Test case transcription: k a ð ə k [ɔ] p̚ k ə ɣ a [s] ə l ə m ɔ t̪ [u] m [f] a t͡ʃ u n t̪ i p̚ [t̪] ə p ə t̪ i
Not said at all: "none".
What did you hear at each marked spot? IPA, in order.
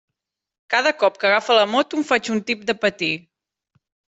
ɔ, f, u, f, d̪

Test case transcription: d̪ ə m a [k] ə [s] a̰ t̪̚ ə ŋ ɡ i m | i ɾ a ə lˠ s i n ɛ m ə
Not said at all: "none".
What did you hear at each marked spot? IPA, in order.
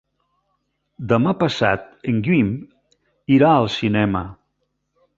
p, s

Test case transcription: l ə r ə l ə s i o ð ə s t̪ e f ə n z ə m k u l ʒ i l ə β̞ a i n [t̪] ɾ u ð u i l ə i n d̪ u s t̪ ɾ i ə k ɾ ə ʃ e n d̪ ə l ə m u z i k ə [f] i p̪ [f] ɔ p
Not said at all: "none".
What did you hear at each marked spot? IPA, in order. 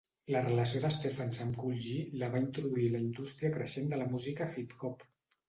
t̪, x, x

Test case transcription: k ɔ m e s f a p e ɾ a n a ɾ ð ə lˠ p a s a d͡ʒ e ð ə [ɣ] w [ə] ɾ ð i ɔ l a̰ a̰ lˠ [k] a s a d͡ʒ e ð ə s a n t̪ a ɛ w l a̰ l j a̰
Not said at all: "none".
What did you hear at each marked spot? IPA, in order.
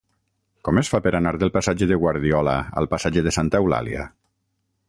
ɣ, a, p

